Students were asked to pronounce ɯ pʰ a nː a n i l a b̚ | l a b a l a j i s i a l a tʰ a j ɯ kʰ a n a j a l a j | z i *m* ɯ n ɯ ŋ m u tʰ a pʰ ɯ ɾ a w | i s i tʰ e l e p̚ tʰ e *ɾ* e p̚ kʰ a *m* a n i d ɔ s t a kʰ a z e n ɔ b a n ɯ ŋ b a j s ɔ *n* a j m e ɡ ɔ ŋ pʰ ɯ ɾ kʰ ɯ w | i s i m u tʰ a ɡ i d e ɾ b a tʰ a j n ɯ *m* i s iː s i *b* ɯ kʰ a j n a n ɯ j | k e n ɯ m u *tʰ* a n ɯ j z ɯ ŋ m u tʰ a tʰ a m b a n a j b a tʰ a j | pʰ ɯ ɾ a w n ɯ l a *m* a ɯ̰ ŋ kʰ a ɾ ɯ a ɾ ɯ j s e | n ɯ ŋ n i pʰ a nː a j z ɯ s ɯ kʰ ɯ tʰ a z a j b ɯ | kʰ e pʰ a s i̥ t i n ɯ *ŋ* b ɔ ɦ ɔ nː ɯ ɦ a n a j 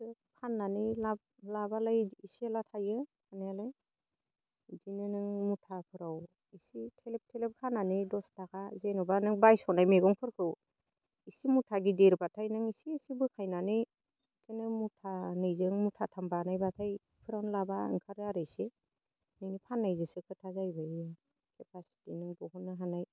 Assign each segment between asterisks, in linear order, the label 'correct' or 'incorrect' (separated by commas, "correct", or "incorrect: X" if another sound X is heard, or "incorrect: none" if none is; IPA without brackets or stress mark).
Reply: incorrect: n, incorrect: l, incorrect: n, correct, incorrect: ŋ, correct, correct, incorrect: b, correct